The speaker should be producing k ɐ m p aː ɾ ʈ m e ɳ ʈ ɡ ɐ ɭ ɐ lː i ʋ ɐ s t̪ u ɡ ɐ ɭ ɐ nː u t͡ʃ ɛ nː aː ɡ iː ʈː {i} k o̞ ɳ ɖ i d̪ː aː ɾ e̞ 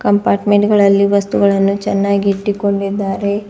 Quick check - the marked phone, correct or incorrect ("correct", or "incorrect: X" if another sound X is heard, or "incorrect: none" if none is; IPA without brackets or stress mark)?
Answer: correct